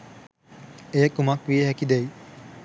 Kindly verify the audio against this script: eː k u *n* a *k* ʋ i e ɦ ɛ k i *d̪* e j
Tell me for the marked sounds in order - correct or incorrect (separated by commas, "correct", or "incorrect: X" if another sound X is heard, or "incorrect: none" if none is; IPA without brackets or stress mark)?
incorrect: m, correct, correct